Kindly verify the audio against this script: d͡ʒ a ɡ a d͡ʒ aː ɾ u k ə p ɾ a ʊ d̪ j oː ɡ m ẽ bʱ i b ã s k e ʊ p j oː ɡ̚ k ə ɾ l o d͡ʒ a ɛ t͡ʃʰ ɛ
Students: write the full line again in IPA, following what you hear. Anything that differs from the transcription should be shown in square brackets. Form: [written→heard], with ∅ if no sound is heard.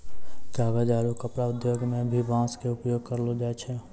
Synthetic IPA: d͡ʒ a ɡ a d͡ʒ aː ɾ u k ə p ɾ a ʊ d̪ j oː ɡ m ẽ bʱ i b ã s k e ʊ p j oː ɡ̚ k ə ɾ l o d͡ʒ a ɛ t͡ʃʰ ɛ